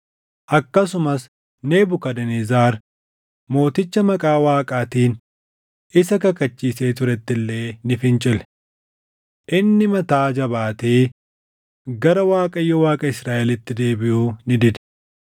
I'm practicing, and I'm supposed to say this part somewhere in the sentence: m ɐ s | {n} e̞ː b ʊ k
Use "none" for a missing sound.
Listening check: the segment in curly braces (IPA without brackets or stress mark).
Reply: n